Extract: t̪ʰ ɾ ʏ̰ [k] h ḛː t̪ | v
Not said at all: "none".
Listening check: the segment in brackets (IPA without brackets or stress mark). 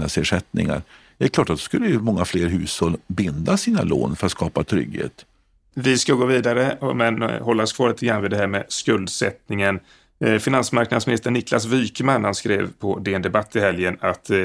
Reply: ɡ